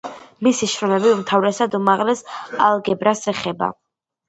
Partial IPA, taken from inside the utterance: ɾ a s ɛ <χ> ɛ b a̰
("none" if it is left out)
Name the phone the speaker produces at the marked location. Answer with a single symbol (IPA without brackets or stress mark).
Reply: χ